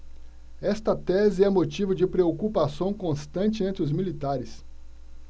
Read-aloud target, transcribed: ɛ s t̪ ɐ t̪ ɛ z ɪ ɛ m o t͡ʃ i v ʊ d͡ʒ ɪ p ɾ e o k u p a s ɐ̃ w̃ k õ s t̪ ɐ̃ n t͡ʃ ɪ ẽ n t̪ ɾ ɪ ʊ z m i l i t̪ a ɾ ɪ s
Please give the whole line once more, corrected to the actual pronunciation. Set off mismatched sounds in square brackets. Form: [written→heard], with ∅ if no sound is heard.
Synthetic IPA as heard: ɛ s t̪ ɐ t̪ ɛ z ɪ ɛ m o t͡ʃ i v ʊ d͡ʒ ɪ p ɾ e o k u p a s ɐ̃ w̃ k õ s t̪ ɐ̃ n t͡ʃ ɪ ẽ n t̪ ɾ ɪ ʊ z m i l i t̪ a ɾ ɪ s